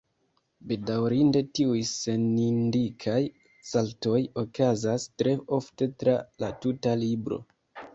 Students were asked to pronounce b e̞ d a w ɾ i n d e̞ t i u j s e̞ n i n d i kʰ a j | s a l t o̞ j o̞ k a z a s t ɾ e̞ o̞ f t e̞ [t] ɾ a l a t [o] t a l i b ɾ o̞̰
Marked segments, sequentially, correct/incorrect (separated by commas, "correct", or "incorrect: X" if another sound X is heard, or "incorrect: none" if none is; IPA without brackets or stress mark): correct, incorrect: u